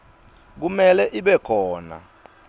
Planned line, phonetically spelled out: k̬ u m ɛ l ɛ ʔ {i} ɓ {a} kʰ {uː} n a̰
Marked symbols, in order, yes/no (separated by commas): yes, no, no